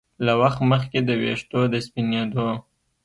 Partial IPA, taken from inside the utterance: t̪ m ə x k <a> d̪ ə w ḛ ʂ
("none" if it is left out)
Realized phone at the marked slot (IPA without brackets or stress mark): e